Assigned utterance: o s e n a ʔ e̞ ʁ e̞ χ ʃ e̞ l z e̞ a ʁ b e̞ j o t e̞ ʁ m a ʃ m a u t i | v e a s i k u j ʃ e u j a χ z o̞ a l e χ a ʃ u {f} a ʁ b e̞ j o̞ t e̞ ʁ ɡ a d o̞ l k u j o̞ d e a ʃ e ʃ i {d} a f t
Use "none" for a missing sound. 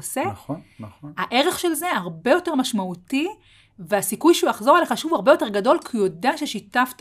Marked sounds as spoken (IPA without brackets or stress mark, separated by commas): v, t